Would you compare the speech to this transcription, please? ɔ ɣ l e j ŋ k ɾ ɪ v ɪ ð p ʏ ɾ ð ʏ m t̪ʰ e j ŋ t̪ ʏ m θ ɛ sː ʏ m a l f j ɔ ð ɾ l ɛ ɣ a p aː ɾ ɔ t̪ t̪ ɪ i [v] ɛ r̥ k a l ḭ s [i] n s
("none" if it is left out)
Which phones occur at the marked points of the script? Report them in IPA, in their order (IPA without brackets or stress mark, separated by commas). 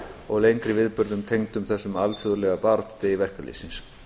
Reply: v, i